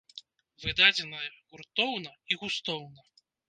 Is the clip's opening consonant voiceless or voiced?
voiced